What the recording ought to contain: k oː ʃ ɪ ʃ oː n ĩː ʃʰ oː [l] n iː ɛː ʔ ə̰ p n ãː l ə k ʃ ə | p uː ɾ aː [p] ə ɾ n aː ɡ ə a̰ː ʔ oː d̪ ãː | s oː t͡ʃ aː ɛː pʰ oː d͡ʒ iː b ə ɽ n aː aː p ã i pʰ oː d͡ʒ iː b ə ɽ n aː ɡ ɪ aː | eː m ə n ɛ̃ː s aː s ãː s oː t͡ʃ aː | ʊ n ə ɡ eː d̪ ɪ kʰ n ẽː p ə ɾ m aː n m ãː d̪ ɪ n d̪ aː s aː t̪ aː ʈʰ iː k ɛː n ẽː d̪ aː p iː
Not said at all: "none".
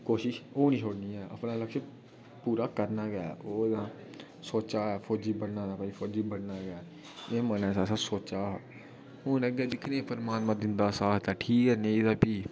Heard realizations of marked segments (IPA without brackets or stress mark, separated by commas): ɽ, k